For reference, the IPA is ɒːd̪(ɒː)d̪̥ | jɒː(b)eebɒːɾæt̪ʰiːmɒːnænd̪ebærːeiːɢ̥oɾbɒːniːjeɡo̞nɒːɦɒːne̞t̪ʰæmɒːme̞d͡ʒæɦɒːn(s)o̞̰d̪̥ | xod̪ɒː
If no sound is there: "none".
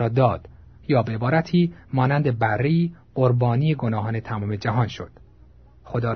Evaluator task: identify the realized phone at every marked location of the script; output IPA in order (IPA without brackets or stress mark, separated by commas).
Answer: ɒː, b, ʃ